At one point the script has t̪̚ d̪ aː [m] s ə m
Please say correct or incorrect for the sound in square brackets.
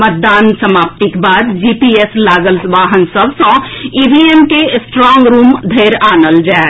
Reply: incorrect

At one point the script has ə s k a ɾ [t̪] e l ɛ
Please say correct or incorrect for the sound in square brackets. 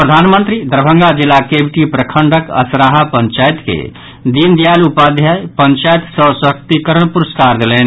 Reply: incorrect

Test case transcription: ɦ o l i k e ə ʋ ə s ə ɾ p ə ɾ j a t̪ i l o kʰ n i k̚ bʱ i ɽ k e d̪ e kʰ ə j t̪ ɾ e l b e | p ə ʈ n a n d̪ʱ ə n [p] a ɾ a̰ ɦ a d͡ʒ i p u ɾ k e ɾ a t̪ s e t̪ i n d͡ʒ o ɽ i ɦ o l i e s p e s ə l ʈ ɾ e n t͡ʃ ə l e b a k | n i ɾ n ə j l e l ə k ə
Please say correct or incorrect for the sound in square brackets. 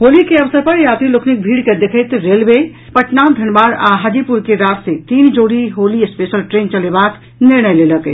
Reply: incorrect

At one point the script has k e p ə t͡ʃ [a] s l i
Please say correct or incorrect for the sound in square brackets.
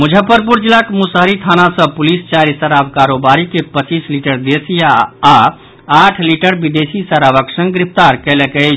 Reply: incorrect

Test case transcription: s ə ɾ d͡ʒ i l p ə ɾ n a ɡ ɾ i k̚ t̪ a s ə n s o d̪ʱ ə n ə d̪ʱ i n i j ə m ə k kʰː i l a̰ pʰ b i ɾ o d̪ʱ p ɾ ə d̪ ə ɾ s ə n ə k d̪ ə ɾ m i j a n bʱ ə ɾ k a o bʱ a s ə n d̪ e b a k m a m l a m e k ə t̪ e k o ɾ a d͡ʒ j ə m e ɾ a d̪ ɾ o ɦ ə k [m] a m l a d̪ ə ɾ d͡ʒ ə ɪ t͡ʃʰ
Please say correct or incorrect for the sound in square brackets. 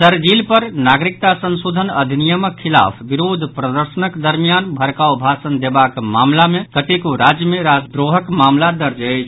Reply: correct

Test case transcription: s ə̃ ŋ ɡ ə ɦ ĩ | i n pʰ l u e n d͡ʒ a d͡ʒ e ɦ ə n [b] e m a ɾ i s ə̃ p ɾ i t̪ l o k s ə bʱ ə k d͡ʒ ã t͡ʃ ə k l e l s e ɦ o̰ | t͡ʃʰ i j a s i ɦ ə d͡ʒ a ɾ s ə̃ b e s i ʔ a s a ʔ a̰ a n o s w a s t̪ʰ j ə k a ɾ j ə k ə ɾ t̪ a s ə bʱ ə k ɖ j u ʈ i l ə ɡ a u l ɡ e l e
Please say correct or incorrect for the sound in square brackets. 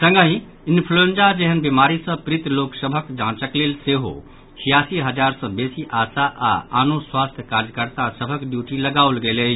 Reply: correct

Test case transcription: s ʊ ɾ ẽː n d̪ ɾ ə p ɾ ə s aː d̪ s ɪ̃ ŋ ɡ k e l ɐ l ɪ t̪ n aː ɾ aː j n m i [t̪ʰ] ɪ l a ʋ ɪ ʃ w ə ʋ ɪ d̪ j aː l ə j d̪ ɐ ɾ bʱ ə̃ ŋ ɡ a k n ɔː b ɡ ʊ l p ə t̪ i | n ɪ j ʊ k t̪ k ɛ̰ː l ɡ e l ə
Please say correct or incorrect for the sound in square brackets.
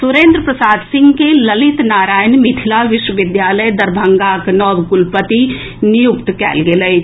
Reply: correct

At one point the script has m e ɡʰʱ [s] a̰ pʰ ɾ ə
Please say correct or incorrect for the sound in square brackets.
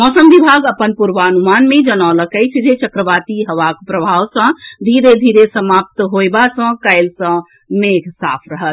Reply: correct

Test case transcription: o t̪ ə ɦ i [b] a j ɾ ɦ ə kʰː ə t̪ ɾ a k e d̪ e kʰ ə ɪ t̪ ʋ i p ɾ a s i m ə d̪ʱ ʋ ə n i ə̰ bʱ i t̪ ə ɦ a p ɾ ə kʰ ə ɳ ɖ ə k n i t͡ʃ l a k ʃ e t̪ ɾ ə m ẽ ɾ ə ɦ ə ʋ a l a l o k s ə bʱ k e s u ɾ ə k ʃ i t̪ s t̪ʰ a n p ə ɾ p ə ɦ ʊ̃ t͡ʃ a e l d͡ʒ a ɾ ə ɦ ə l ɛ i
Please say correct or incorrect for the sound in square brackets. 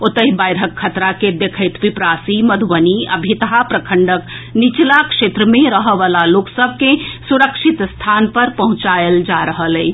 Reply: correct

